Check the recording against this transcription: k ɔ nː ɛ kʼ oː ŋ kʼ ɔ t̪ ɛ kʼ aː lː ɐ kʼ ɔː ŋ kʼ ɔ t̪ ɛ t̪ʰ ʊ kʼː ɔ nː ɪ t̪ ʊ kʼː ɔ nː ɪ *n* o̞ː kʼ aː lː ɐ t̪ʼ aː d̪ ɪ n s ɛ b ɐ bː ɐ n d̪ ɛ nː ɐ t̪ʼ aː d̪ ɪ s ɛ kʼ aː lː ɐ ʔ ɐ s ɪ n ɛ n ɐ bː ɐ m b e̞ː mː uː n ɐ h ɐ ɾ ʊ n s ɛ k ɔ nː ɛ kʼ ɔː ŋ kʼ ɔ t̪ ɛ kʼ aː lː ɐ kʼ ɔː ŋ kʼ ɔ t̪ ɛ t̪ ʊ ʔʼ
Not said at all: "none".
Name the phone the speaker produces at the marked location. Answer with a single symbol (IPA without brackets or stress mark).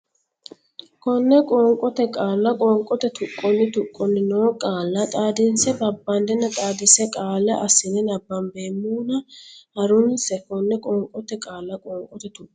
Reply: n